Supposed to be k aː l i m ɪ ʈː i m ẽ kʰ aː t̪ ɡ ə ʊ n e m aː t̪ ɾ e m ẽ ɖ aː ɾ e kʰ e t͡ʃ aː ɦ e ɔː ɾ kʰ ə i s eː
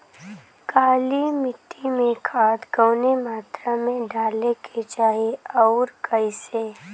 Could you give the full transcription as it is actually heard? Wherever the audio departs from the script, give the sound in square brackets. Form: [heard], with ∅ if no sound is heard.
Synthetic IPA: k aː l i m ɪ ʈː i m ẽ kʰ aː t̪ ɡ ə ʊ n e m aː t̪ ɾ [a] m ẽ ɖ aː [l] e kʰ e t͡ʃ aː ɦ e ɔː ɾ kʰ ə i s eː